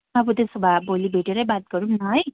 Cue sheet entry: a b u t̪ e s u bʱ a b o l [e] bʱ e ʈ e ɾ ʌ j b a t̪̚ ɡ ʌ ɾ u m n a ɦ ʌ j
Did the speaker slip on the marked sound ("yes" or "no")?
yes